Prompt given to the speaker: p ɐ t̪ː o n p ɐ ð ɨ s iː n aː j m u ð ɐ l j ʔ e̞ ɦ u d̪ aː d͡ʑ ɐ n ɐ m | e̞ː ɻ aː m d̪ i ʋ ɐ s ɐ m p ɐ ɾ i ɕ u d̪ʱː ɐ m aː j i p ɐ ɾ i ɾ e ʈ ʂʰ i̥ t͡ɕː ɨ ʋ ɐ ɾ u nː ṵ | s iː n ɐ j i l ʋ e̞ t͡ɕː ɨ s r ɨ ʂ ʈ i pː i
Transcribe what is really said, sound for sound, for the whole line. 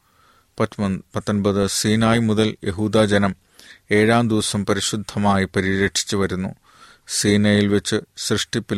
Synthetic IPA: p ɐ t̪ː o n b ɐ ð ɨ s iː n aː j m u ð ɐ l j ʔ e̞ ɦ uː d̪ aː d͡ʑ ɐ n ɐ m | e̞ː ɻ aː m d̪ i ʋ ɐ s ɐ m p ɐ ɾ i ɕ u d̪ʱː ɐ m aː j i p ɐ ɾ i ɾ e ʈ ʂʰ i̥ t͡ɕː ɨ ʋ ɐ ɾ u nː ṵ | s iː n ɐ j i l ʋ e̞ t͡ɕː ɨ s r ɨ ʂ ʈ i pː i